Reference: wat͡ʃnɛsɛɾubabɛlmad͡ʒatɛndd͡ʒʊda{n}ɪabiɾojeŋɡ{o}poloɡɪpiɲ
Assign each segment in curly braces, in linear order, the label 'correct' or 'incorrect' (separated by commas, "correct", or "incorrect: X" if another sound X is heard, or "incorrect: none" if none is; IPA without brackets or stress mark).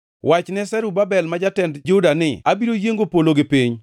correct, correct